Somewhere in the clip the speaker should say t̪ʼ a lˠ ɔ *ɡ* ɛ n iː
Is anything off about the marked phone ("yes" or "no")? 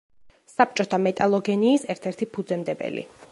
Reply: no